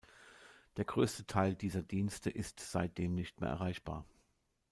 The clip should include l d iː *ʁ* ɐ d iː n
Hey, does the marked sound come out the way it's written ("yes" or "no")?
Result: no